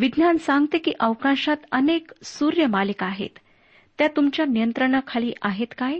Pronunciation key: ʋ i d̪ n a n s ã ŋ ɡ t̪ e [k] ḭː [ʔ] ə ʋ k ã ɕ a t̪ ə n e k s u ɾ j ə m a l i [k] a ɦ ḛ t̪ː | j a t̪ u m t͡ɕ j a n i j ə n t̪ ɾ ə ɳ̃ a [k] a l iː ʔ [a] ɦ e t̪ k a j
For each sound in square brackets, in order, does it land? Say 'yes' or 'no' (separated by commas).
yes, yes, yes, no, yes